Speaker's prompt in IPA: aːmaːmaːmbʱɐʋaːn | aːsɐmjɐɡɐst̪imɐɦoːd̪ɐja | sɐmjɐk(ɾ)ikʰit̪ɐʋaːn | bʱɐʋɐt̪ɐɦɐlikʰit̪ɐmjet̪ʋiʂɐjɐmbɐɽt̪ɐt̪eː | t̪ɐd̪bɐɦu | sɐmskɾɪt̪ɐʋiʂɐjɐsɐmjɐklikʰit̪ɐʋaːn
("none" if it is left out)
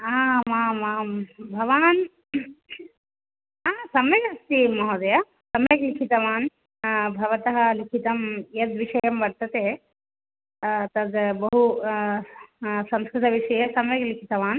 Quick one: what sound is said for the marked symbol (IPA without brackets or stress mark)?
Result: l